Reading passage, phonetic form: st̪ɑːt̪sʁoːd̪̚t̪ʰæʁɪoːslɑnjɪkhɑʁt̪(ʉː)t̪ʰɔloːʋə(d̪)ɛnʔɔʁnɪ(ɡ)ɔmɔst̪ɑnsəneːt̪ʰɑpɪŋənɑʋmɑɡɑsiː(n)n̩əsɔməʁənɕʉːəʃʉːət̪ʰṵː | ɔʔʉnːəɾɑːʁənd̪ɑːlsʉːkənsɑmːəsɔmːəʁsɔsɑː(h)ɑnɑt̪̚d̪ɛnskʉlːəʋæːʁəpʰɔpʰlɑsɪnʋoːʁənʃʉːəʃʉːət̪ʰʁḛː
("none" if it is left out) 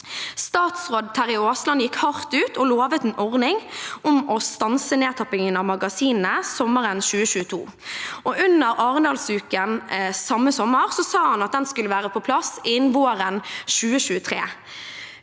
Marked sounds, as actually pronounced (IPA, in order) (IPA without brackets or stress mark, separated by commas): ʉː, t̪, ŋ, n, h